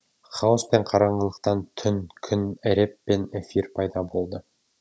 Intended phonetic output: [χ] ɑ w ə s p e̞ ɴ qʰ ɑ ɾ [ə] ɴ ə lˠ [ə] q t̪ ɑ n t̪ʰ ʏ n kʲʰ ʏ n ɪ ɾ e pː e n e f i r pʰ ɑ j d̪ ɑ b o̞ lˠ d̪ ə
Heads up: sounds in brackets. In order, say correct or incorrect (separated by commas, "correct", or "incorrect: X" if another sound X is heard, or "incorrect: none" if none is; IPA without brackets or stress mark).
correct, incorrect: ɑ, correct